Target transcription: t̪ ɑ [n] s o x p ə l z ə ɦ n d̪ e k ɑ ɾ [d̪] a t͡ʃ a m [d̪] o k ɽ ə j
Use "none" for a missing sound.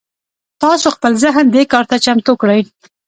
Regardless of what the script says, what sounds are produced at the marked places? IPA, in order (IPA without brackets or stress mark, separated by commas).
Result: none, t̪, t̪